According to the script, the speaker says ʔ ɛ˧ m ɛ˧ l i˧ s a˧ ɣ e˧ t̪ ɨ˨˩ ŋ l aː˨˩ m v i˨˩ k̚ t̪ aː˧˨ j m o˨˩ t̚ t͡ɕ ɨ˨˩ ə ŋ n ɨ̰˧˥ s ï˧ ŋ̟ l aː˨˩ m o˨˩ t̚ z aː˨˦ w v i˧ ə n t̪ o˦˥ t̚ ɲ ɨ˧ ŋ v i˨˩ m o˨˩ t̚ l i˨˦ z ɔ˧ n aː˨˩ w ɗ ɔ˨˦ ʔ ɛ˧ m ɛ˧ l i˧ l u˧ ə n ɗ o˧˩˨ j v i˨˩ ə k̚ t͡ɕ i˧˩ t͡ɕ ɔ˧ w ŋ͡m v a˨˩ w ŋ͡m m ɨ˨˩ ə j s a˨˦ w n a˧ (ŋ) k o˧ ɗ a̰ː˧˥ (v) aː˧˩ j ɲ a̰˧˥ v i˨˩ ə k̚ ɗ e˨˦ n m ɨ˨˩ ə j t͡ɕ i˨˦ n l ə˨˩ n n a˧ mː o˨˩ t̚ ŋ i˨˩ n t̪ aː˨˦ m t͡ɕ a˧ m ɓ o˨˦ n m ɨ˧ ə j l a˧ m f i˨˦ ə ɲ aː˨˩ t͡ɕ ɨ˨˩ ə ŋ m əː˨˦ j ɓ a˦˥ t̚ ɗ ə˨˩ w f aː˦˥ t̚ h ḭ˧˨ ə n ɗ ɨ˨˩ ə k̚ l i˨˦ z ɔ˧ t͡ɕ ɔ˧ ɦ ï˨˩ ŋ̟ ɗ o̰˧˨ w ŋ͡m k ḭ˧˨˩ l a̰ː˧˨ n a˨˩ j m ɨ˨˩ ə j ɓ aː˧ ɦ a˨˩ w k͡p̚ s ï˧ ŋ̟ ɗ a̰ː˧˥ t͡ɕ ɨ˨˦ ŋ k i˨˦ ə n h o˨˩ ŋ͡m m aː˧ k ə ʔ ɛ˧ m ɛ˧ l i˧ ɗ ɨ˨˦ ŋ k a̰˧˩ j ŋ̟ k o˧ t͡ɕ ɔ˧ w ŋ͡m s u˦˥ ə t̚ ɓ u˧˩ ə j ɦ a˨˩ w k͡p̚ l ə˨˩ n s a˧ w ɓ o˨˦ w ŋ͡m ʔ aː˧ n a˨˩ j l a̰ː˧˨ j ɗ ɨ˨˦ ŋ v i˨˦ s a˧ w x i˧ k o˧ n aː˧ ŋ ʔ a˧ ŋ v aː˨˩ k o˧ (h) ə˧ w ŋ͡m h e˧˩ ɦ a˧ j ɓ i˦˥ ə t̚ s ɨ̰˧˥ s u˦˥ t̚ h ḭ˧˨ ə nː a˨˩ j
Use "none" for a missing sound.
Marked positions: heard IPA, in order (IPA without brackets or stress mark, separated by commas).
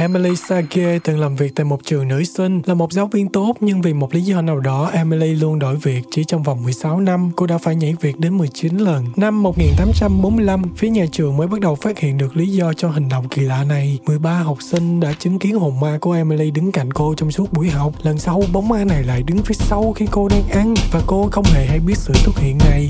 m, f, x